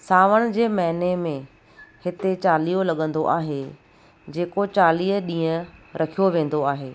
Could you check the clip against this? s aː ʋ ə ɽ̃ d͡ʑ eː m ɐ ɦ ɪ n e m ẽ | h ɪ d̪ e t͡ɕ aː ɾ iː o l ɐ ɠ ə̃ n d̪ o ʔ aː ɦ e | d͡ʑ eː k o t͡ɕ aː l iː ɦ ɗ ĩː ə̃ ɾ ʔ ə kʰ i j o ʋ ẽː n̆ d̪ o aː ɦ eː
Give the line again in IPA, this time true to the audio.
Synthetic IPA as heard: s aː ʋ ə ɽ̃ d͡ʑ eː m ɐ ɦ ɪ n e m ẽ | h ɪ t̪ e t͡ɕ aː l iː o l ɐ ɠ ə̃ n d̪ o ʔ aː ɦ e | d͡ʑ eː k o t͡ɕ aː l iː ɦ ɗ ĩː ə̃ ɾ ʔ ɐ kʰ i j o ʋ ẽː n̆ d̪ o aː ɦ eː